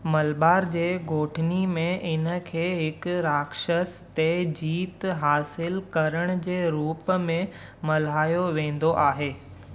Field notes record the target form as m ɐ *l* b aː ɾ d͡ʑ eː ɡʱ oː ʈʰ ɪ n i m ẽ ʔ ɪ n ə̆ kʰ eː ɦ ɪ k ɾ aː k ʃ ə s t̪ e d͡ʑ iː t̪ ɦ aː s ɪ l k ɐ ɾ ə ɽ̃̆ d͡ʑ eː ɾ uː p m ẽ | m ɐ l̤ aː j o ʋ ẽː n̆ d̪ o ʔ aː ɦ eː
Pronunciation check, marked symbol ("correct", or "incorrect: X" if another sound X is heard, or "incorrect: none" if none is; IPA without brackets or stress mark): correct